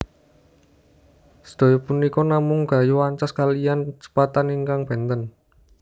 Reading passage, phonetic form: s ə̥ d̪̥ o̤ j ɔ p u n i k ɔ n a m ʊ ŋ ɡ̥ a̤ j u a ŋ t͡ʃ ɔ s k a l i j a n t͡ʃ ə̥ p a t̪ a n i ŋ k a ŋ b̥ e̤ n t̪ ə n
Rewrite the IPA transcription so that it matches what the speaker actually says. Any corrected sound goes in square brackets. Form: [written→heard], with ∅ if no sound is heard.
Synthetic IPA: s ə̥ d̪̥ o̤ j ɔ p u n i k ɔ n a m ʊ ŋ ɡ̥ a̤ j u a [ŋ→ɲ] t͡ʃ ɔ s k a l i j a n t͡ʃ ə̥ p a t̪ a n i ŋ k a ŋ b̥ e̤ n t̪ ə n